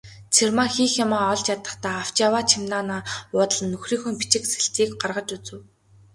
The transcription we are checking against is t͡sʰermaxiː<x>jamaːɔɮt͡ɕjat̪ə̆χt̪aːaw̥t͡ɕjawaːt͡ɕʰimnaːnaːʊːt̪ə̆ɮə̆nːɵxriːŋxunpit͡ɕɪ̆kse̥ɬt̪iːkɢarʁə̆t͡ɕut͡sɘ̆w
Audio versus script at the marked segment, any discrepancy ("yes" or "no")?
no